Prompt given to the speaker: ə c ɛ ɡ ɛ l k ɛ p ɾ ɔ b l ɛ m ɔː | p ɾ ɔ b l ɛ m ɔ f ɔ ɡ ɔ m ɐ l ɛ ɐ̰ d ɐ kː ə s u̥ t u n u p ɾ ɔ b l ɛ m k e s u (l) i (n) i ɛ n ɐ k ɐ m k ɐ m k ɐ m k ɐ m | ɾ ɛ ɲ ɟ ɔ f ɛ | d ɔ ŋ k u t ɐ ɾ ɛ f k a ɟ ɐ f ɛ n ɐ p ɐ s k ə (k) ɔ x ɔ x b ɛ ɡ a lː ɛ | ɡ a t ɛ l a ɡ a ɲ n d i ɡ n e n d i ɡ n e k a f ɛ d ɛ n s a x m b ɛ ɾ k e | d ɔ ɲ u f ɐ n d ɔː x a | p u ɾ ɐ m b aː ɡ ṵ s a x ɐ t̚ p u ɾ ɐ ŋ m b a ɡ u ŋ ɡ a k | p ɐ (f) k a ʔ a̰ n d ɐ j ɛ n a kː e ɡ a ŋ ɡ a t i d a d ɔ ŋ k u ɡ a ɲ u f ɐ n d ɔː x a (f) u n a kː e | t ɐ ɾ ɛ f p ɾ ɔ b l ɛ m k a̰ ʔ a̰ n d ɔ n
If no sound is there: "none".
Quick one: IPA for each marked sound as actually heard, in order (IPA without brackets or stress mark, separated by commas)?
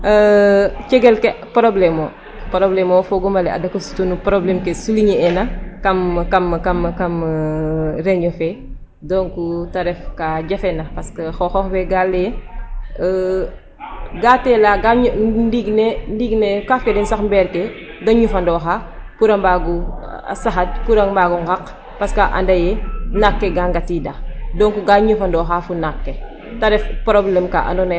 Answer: l, ɲ, x, s, f